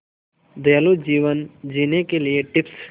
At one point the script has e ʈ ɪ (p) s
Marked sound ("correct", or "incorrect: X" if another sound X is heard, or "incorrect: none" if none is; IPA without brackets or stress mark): correct